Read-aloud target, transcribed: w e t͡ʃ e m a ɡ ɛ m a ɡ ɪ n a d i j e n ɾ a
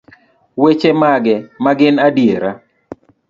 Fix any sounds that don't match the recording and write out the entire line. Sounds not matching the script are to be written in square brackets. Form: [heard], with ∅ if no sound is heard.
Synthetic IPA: w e t͡ʃ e m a ɡ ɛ m a ɡ ɪ n a d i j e [∅] ɾ a